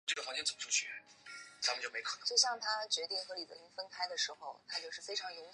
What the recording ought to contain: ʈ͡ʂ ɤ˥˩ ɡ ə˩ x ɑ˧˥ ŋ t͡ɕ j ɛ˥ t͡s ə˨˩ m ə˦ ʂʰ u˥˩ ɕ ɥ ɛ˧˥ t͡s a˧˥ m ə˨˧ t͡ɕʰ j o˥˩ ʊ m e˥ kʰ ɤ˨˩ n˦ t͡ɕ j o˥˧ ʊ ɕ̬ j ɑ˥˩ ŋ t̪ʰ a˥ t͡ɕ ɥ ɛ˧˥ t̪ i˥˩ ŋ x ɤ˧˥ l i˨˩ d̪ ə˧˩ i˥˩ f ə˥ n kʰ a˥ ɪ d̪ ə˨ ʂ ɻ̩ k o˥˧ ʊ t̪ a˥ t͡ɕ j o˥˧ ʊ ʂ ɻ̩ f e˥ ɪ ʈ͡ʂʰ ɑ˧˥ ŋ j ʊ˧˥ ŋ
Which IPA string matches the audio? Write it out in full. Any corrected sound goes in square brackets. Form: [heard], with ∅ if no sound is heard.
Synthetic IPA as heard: ʈ͡ʂ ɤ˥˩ ɡ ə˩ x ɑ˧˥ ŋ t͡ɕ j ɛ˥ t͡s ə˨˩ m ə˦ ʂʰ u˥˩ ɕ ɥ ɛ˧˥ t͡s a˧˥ m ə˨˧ [t͡ɕ] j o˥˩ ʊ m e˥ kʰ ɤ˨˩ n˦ t͡ɕ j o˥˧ ʊ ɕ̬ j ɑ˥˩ ŋ t̪ʰ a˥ t͡ɕ ɥ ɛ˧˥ t̪ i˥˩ ŋ x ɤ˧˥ l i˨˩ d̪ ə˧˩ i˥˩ f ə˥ n kʰ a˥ ɪ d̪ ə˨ ʂ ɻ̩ [x] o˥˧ ʊ [t̪ʰ] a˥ t͡ɕ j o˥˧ ʊ ʂ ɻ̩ f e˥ ɪ ʈ͡ʂʰ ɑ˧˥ ŋ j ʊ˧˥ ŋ